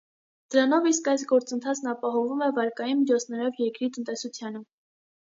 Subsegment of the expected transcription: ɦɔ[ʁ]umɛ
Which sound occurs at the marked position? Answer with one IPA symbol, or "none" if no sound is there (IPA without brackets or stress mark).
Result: v